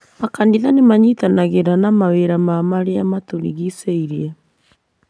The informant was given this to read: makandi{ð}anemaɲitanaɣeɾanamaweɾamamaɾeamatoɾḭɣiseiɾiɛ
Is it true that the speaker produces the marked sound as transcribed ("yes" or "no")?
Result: yes